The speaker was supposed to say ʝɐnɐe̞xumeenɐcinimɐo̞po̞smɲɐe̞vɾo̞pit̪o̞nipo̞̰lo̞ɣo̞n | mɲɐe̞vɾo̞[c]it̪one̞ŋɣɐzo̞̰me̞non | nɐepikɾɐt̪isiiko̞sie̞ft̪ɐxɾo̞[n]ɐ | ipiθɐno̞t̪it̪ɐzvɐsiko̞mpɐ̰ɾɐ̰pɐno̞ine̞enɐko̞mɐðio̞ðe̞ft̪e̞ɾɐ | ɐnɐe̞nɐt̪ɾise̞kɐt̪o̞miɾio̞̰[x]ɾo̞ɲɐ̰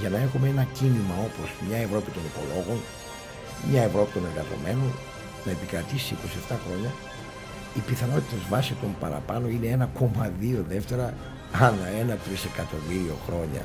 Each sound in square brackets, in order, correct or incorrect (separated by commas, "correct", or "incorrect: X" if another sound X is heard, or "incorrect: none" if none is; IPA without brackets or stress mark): incorrect: p, incorrect: ɲ, correct